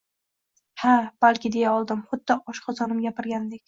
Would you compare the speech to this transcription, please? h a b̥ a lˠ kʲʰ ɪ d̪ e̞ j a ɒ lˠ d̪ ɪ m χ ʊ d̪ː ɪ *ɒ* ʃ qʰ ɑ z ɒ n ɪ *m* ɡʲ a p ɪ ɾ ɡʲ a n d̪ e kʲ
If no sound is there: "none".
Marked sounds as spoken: ɒ, m

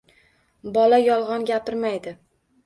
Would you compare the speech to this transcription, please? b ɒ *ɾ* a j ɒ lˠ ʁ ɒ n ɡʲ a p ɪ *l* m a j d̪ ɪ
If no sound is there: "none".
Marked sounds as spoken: l, ɾ

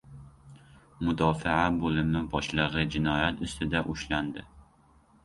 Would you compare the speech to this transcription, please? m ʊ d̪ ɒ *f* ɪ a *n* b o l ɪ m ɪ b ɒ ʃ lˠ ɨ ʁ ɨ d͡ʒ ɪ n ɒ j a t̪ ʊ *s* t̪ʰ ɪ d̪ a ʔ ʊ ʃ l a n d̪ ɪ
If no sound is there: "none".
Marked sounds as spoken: f, none, s

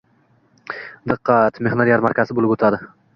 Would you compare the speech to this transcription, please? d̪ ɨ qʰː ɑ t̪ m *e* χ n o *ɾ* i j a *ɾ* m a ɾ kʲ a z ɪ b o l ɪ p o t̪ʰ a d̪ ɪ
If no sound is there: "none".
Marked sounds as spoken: e, ɾ, ɾ

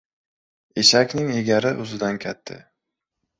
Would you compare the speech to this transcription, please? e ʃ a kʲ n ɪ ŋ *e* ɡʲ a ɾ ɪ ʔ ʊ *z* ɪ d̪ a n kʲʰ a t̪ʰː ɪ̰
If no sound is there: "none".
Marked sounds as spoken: e, z

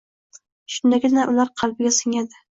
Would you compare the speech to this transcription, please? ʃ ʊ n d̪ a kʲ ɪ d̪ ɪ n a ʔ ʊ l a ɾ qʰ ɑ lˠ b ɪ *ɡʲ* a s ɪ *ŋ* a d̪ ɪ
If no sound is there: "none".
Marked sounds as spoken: ɡʲ, ŋ

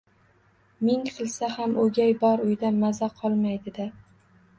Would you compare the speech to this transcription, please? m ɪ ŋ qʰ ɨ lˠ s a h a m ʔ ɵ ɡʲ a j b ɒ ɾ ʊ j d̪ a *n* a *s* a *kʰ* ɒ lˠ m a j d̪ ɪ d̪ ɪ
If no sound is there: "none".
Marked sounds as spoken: m, z, qʰ

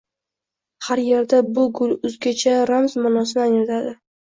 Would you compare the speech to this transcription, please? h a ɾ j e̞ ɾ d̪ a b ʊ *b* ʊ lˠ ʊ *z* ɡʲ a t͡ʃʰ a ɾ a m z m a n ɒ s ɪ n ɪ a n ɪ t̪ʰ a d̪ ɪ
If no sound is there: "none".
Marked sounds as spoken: ɡ, z

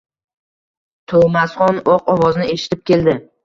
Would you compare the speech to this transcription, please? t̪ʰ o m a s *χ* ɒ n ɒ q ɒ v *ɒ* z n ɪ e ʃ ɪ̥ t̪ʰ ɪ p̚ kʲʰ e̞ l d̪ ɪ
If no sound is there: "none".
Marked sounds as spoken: χ, ɒ

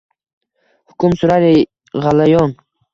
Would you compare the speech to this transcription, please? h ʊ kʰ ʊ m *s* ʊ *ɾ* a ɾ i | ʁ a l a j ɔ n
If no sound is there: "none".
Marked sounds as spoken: s, ɾ

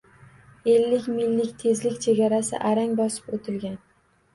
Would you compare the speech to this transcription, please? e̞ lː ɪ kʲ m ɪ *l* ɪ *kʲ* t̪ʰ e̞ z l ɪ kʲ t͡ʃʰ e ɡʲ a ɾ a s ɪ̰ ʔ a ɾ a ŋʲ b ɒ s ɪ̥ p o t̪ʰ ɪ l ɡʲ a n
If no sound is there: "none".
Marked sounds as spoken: lː, kʲ

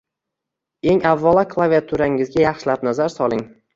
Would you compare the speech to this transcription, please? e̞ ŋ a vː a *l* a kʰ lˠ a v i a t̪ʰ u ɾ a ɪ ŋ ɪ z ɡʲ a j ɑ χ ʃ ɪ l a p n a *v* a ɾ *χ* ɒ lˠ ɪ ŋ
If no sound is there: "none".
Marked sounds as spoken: l, z, s

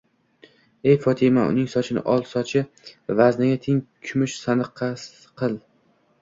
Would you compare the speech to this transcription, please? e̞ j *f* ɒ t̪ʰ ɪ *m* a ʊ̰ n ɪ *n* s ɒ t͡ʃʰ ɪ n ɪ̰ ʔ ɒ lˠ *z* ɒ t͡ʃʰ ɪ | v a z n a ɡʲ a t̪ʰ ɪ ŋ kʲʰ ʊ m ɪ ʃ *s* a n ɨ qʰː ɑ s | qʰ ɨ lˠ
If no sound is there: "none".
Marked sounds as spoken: f, m, ŋ, s, s

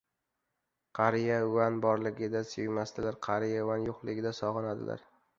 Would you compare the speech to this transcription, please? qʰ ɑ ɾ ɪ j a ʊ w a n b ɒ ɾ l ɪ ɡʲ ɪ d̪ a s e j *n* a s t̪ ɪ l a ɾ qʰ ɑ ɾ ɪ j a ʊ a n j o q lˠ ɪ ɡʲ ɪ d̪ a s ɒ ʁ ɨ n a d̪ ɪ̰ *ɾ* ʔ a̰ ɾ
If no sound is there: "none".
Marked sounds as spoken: m, l

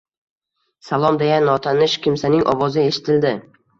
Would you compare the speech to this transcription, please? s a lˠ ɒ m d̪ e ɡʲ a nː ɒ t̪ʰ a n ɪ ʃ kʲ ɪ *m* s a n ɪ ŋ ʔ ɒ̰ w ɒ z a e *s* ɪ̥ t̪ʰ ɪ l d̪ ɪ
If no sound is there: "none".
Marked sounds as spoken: m, ʃ

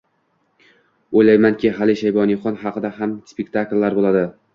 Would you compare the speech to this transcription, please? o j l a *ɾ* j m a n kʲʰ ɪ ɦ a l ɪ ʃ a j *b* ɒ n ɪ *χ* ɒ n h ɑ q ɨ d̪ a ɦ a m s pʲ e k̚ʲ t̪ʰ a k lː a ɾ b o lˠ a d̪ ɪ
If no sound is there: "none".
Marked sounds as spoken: none, b, χ

